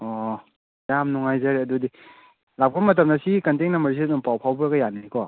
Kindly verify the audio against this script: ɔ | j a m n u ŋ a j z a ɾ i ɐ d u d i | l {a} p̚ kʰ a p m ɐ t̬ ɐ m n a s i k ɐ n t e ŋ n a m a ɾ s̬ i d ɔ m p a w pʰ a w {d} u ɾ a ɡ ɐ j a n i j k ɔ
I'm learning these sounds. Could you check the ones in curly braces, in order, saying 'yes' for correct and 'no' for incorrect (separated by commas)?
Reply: yes, no